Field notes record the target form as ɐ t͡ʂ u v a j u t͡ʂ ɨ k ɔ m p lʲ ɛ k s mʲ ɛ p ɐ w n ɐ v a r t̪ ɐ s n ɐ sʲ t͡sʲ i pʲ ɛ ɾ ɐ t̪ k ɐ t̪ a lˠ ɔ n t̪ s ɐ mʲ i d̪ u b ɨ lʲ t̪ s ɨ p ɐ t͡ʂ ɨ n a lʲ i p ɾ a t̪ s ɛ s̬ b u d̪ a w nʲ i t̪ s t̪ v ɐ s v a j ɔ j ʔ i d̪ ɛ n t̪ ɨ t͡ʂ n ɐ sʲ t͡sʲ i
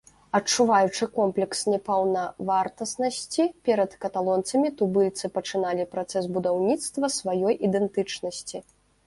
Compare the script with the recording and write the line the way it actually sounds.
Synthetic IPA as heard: ɐ t͡ʂ u v a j u t͡ʂ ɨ k ɔ m p lʲ ɛ k s nʲ ɛ p ɐ w n ɐ v a r t̪ ɐ s n ɐ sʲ t͡sʲ i pʲ ɛ ɾ ɐ t̪ k ɐ t̪ a lˠ ɔ n t̪ s ɐ mʲ i t̪ u b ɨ lʲ t̪ s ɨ p ɐ t͡ʂ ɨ n a lʲ i p ɾ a t̪ s ɛ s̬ b u d̪ a w nʲ i t̪ s t̪ v ɐ s v a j ɔ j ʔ i d̪ ɛ n t̪ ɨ t͡ʂ n ɐ sʲ t͡sʲ i